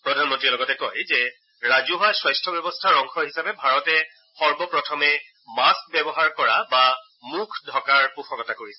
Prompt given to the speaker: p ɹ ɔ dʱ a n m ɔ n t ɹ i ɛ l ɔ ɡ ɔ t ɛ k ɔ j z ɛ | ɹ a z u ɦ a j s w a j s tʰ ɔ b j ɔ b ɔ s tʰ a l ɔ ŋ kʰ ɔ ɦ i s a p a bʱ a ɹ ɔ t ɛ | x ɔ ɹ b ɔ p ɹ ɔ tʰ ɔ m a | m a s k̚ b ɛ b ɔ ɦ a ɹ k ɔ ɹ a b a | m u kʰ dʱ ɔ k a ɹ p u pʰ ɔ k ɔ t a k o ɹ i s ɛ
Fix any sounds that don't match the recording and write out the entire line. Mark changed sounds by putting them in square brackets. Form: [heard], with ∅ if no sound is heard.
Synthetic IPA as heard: p ɹ ɔ dʱ a n m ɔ n t ɹ i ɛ l ɔ ɡ ɔ t ɛ k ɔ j z ɛ | ɹ a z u ɦ a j s w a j s tʰ ɔ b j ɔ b ɔ s tʰ a [ɹ] ɔ ŋ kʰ ɔ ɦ i s a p [ɛ] bʱ a ɹ ɔ t ɛ | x ɔ ɹ b ɔ p ɹ ɔ tʰ ɔ m [ɛ] | m a s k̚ b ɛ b ɔ ɦ a ɹ k ɔ ɹ a b a | m u kʰ dʱ ɔ k a ɹ p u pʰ ɔ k ɔ t a k o ɹ i s ɛ